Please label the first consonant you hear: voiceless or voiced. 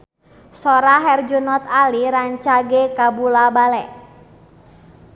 voiceless